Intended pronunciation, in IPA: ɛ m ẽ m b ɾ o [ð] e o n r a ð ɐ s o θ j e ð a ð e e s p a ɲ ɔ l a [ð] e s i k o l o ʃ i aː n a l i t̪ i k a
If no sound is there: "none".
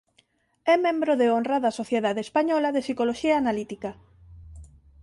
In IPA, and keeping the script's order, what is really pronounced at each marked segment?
ð, ð

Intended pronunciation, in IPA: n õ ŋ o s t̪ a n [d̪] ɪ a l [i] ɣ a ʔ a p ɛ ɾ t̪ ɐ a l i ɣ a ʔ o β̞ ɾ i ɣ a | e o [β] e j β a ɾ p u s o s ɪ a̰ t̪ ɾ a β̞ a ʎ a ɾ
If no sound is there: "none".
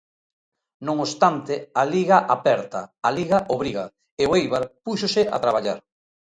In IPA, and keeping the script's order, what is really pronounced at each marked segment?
t̪, i, none

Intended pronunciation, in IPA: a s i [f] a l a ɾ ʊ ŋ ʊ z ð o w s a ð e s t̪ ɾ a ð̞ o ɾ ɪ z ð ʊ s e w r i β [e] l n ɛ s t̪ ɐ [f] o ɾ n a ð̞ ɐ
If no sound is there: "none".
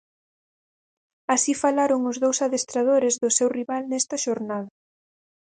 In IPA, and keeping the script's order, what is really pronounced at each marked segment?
f, a, ʃ

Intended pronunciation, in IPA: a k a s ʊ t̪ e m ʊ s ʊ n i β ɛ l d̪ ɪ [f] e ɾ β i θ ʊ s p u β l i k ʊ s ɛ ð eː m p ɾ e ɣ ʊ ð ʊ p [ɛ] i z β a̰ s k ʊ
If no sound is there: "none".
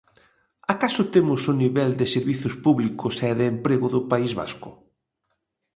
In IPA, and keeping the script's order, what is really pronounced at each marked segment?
s, a

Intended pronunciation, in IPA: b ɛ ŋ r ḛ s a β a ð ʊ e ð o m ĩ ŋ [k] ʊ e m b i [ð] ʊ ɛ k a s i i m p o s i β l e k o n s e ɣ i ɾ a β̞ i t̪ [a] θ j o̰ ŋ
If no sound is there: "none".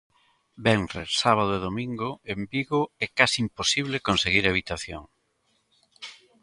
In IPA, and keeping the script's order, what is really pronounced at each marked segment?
ɡ, ɣ, a

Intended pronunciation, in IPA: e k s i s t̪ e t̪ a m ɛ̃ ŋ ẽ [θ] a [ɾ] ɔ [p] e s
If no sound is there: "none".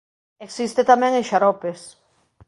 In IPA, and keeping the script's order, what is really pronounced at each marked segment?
ʃ, ɾ, p

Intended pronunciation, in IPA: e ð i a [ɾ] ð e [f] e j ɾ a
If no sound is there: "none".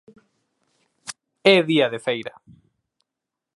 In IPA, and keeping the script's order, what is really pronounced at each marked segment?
none, f

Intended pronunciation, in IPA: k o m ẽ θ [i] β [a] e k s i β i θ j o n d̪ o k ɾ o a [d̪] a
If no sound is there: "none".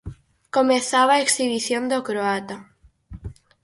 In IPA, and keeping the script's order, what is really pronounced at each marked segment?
a, a, t̪

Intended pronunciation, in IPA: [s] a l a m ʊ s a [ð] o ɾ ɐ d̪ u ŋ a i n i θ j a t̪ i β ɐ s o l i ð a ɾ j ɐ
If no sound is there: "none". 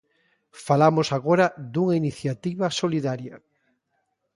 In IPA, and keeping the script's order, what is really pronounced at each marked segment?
f, ɣ

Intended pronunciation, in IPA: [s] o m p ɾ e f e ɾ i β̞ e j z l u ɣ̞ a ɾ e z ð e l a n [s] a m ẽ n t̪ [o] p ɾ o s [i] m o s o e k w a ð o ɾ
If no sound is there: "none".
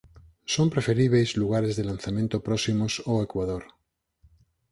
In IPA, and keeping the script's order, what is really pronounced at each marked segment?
s, θ, o, i

